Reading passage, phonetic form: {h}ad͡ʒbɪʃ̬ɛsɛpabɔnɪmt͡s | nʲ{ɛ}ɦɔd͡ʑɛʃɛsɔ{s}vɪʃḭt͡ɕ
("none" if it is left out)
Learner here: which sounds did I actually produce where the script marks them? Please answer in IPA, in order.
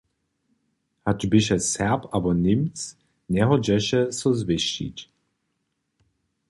h, ɛ, z

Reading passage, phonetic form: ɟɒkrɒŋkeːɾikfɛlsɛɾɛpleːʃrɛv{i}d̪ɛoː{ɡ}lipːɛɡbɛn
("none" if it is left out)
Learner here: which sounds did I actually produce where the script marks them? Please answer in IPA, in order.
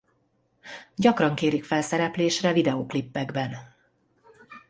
i, k

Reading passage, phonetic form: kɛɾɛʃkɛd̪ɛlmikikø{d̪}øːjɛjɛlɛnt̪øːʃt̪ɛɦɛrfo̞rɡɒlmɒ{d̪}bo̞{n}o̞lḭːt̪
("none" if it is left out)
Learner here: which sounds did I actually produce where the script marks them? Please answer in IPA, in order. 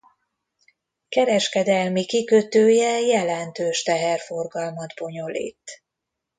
t̪, d̪, ɲ

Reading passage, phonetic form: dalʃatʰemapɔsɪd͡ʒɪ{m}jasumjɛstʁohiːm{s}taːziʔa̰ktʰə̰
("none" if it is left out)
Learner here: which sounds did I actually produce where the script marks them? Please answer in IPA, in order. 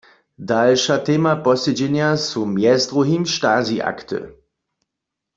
n, ʃ

